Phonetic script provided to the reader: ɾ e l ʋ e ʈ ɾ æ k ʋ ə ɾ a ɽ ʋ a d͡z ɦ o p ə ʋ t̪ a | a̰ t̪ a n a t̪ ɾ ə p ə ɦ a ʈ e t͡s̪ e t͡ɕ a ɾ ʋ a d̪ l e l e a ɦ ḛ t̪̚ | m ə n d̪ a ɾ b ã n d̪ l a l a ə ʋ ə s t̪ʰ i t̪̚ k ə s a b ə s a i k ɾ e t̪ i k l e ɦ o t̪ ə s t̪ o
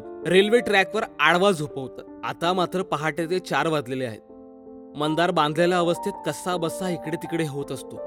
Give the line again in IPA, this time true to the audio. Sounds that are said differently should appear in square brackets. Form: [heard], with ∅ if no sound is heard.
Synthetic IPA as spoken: ɾ e l ʋ e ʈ ɾ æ k ʋ ə ɾ a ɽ ʋ a d͡z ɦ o p ə ʋ t̪ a | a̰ t̪ a [m] a t̪ ɾ ə p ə ɦ a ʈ e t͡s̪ e t͡ɕ a ɾ ʋ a d̪ l e l e a ɦ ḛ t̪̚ | m ə n d̪ a ɾ b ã n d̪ l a l a ə ʋ ə s t̪ʰ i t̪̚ k ə s a b ə s a i k [ɽ] e t̪ i k [ɽ] e ɦ o t̪ ə s t̪ o